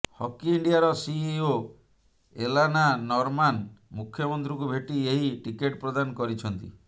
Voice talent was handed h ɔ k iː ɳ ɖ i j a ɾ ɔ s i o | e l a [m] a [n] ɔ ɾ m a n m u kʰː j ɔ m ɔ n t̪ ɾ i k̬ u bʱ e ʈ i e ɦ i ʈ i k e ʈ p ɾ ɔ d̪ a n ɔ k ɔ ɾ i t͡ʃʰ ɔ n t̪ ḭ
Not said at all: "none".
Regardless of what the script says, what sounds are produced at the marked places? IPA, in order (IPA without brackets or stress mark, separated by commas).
n, n